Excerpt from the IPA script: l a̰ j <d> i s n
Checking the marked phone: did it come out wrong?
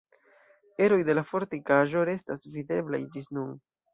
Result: yes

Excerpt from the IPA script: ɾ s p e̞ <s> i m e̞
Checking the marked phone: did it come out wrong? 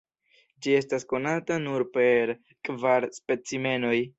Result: yes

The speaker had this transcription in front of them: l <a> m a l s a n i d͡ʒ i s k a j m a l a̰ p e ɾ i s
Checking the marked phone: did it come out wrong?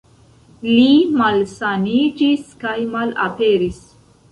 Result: yes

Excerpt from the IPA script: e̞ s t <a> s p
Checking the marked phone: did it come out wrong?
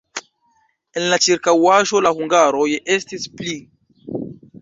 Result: yes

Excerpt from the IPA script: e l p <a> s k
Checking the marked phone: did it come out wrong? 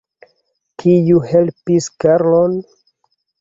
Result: yes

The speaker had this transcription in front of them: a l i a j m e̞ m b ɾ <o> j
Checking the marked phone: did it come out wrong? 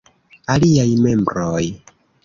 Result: no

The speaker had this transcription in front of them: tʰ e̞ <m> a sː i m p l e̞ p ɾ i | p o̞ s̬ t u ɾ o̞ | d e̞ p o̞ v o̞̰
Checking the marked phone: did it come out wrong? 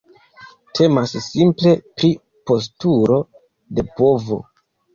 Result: no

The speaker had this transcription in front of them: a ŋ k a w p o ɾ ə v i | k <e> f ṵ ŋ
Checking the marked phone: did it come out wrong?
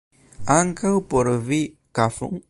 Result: yes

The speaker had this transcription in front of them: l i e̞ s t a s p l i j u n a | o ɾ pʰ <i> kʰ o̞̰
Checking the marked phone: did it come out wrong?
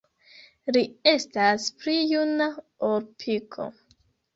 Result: no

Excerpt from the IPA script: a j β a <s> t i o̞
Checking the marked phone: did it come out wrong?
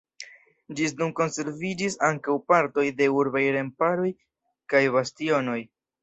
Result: no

